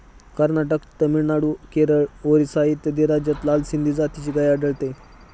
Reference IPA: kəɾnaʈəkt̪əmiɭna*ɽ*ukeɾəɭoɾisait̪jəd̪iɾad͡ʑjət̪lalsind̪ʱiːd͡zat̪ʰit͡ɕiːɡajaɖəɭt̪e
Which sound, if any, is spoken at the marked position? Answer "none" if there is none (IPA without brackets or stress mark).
ɽ